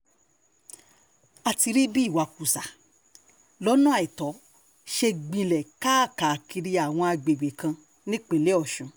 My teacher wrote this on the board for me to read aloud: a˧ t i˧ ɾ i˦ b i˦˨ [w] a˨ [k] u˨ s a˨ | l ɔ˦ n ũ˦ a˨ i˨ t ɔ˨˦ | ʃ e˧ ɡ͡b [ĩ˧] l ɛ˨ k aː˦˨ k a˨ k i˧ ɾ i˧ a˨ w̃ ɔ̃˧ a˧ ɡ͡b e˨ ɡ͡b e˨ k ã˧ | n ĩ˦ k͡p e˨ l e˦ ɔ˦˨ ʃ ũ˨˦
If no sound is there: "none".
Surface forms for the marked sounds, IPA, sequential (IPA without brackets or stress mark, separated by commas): w, k, ĩ˧